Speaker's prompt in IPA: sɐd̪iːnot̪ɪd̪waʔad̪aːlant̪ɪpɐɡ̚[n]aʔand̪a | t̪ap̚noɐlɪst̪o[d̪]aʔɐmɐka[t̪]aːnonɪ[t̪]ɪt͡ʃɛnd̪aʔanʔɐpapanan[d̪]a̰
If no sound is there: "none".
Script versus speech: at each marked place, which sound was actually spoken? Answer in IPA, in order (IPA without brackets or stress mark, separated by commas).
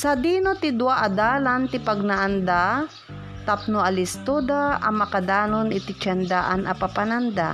n, d̪, d̪, t̪, d̪